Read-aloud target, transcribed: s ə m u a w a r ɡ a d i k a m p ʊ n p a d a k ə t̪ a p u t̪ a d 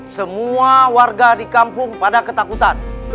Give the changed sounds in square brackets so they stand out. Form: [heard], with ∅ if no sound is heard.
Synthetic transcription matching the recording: s ə m u a w a r ɡ a d i k a m p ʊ [ŋ] p a d a k ə t̪ a [k] u t̪ a [n]